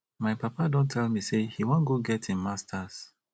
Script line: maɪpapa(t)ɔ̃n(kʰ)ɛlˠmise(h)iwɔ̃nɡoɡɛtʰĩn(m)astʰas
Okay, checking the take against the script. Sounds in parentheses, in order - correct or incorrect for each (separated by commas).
incorrect, incorrect, correct, correct